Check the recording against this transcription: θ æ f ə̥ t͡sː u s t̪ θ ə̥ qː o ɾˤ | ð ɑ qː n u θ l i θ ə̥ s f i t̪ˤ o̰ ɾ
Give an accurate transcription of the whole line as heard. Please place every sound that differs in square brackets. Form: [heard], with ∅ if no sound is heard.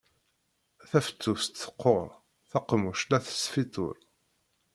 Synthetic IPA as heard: θ æ f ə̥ t͡sː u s t̪ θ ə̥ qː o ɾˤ | [θ] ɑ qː [m] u [ʃ] l [æ] θ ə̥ s f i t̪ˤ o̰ ɾ

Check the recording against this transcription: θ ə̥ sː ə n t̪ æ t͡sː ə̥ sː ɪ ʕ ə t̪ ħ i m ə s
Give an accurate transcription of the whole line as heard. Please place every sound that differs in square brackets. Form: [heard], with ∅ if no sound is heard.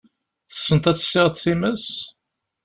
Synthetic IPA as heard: θ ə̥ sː ə n t̪ æ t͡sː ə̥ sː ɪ [ʁ] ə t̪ [θ] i m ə s

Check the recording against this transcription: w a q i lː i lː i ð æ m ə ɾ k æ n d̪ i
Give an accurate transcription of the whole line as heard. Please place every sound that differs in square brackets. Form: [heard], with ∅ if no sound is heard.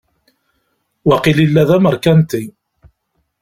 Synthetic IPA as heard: w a q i [l] i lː [æ] ð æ m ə ɾ k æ n [t̪] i

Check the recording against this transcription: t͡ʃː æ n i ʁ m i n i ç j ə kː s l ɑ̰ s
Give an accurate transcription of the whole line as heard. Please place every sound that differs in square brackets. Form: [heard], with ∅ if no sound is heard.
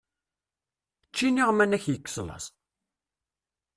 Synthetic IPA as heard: t͡ʃː [i] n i ʁ m [æ] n [æ] ç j ə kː s l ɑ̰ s

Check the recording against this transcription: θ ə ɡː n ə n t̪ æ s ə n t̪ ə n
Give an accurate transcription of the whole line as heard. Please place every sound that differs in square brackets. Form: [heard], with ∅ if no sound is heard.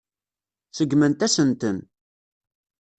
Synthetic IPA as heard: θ ə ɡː [m] ə n t̪ æ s ə n t̪ ə n

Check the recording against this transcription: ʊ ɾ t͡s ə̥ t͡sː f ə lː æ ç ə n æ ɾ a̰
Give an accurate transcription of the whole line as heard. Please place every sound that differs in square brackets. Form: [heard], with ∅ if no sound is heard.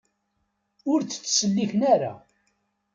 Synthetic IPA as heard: ʊ ɾ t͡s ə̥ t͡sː [s] ə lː [i] ç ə n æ ɾ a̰

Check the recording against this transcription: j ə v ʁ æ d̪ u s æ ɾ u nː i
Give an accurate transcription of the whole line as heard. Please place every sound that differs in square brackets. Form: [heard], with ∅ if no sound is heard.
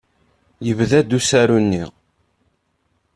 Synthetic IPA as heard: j ə v [ð] æ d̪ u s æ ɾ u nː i

